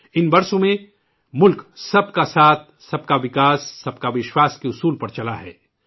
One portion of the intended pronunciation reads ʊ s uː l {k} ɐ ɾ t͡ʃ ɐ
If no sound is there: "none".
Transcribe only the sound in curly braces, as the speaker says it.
p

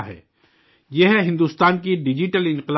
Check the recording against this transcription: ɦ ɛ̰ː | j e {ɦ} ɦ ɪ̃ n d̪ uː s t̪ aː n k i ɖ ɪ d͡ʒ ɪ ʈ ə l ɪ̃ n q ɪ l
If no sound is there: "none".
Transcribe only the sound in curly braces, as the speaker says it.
ɦ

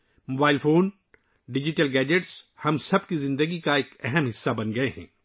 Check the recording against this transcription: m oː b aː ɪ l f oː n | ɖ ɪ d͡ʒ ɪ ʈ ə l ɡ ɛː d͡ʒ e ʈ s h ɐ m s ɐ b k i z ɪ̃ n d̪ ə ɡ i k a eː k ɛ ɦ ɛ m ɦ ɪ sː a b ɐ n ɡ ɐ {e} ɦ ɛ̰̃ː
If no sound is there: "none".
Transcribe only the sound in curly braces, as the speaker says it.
e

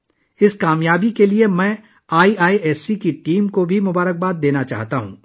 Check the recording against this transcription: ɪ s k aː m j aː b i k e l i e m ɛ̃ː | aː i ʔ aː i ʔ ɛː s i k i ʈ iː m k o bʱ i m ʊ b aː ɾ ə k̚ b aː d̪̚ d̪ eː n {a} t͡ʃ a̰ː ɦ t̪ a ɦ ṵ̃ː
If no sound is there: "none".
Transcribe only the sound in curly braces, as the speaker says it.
a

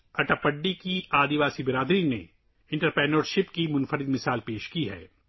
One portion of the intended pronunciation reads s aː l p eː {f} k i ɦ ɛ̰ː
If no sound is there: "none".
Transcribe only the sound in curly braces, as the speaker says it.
ʃ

